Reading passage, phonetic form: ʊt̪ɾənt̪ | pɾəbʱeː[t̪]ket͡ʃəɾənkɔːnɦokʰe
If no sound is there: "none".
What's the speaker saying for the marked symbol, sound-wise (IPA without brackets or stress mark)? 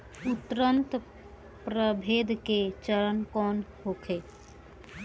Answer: d̪